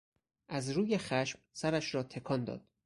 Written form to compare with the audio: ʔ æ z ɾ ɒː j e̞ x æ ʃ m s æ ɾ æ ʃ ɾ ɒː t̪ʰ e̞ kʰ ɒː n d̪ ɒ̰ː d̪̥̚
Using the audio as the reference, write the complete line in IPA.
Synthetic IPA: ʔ æ z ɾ uː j e̞ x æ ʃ m s æ ɾ æ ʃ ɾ ɒː t̪ʰ e̞ kʰ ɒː n d̪ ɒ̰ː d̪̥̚